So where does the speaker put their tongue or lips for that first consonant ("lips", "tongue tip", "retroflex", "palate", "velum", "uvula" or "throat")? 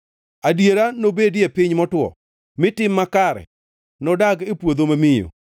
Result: tongue tip